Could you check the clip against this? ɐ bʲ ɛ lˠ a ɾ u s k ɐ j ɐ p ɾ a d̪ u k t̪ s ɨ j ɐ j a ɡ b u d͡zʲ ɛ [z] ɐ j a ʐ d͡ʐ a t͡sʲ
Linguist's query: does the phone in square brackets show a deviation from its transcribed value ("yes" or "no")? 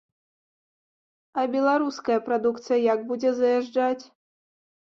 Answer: no